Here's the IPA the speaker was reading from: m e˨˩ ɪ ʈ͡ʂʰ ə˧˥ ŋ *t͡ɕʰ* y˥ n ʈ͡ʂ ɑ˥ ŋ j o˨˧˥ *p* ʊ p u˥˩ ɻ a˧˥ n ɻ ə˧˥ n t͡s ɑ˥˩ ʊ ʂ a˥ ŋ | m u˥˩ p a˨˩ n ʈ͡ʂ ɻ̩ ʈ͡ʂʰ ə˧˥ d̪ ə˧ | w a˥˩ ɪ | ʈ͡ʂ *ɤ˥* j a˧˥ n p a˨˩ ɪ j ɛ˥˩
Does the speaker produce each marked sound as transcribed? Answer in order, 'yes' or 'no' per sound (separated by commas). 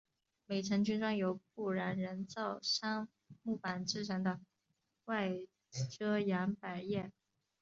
no, no, yes